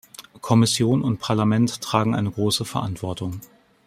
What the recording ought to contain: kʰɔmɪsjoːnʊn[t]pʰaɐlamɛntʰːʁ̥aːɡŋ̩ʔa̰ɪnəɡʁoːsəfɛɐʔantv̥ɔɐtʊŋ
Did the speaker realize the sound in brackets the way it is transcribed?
yes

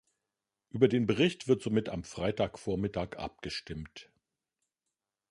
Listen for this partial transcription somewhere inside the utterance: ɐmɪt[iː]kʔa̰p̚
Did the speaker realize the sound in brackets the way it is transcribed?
no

